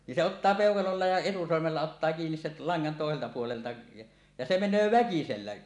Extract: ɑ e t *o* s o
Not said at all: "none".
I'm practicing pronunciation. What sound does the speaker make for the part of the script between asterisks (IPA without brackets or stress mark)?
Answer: u